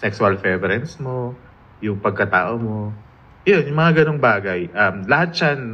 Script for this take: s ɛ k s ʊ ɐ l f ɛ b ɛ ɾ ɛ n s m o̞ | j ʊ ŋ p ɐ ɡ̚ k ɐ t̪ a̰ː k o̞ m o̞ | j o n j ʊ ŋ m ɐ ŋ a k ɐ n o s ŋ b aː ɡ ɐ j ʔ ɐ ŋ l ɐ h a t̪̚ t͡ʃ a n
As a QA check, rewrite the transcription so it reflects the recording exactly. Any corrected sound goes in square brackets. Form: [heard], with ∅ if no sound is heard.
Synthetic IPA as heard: s ɛ k s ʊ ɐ l f ɛ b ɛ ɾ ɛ n s m o̞ | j ʊ ŋ p ɐ ɡ̚ k ɐ t̪ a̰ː [ʔ] o̞ m o̞ | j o n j ʊ ŋ m ɐ ŋ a [ɡ] ɐ n o [∅] ŋ b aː ɡ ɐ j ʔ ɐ [m] l ɐ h a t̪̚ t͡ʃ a n